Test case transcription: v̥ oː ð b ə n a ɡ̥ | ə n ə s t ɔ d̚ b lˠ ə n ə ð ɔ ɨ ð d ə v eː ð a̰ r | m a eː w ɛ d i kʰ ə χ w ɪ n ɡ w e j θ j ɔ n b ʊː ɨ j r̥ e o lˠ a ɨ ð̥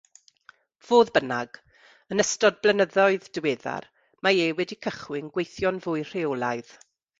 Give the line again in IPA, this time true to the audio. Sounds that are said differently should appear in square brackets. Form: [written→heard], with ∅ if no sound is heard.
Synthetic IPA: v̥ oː ð b ə n a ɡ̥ | ə n ə s t ɔ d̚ b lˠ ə n ə ð ɔ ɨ ð d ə [v→w] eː ð a̰ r | m a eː w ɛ d i kʰ ə χ w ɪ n ɡ w e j θ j ɔ n [b→v] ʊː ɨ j r̥ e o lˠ a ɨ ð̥